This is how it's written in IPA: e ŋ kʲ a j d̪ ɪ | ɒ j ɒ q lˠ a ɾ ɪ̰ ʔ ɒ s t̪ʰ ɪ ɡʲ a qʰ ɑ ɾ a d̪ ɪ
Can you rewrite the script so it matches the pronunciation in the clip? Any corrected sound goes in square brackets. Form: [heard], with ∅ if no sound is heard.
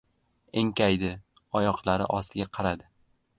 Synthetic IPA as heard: e ŋ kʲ a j d̪ ɪ | ɒ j ɒ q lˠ a ɾ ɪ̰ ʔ ɒ s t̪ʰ ɪ ɡʲ a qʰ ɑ ɾ a d̪ ɪ